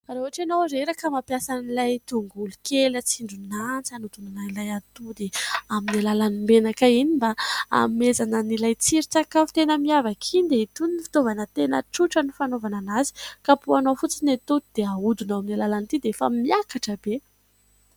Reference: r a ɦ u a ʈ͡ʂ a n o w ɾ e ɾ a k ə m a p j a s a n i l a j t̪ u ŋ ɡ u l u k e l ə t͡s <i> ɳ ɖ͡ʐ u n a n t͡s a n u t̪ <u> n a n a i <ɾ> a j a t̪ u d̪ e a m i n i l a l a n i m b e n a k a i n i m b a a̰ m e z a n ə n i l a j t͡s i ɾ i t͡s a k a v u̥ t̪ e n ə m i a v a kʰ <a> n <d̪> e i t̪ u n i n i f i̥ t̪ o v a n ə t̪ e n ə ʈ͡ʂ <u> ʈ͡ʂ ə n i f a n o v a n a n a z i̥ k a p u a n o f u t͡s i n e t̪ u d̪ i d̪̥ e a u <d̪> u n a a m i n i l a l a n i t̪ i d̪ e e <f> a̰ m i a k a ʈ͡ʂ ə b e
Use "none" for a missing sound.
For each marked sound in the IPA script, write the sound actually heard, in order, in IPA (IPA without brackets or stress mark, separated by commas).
i, u, l, i, d̪, u, d̪, f